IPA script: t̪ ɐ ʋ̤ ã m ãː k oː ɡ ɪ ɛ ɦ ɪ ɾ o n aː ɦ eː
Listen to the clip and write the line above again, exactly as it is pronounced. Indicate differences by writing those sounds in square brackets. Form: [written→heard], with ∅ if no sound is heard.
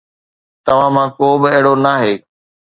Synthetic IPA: t̪ ɐ ʋ̤ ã m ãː k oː [ɡ→b] ɪ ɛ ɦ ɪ [ɾ→ɽ] o n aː ɦ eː